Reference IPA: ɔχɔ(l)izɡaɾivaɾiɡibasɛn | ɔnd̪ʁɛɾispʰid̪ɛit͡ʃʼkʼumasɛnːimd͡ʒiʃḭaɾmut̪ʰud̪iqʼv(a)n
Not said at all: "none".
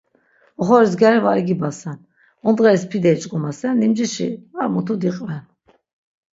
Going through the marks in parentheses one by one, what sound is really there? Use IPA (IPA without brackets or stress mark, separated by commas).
ɾ, ɛ